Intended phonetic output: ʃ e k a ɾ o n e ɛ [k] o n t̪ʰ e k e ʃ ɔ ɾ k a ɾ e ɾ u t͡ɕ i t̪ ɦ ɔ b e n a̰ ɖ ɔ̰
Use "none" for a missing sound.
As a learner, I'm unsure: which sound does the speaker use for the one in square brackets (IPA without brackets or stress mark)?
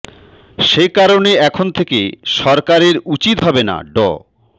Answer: kʰ